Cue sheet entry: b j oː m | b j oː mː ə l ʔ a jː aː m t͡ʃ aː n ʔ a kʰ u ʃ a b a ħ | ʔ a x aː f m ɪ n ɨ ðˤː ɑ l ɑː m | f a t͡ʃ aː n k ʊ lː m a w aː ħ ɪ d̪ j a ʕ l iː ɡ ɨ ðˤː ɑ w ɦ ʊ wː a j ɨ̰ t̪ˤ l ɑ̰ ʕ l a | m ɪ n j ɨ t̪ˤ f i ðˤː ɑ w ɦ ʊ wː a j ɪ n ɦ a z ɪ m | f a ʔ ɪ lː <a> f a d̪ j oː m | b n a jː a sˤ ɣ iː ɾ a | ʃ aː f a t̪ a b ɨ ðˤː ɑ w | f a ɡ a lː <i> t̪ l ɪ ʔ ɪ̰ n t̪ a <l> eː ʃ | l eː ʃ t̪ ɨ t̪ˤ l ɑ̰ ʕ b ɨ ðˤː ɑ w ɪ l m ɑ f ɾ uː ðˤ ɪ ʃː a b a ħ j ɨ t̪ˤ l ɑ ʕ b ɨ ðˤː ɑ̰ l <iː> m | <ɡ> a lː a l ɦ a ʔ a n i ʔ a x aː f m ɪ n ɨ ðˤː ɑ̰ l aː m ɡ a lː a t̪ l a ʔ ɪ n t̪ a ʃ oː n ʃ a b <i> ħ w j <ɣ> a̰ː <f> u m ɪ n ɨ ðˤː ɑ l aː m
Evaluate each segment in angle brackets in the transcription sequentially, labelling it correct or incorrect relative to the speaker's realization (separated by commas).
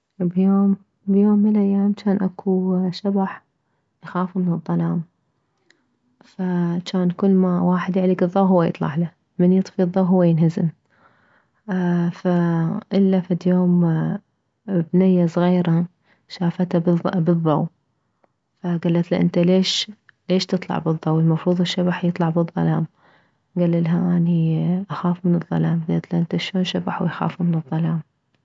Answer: correct, incorrect, correct, incorrect, correct, incorrect, incorrect, correct